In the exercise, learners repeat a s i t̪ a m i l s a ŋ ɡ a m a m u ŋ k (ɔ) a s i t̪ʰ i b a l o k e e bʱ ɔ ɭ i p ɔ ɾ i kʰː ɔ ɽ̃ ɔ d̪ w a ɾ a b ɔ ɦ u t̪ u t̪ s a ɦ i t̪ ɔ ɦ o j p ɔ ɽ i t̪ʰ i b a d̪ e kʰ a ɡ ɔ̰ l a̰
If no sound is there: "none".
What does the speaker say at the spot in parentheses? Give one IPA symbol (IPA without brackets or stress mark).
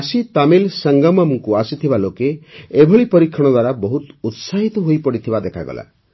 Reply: u